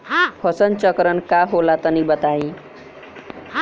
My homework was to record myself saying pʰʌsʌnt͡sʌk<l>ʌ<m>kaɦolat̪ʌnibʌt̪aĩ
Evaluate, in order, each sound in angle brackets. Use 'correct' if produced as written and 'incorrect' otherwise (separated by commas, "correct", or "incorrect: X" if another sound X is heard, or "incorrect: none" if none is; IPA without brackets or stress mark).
incorrect: ɾ, incorrect: n